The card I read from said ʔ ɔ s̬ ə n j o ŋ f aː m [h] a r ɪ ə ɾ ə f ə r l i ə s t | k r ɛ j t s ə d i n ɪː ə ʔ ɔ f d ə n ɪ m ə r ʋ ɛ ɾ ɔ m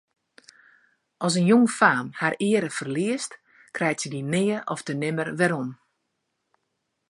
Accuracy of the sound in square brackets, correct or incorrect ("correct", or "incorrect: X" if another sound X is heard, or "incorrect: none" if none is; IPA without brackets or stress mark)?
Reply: correct